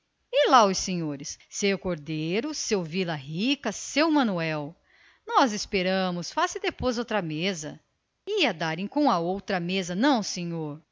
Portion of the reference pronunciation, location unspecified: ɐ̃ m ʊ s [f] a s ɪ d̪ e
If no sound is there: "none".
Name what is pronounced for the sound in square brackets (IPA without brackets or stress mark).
f